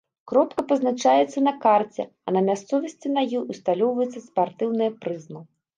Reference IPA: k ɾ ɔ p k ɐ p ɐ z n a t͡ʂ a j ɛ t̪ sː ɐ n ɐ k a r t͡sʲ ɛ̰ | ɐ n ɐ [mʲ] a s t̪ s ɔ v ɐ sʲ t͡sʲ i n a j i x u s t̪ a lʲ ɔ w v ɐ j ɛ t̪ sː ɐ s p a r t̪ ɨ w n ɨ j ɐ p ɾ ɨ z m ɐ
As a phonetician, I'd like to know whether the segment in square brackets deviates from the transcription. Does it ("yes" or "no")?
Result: no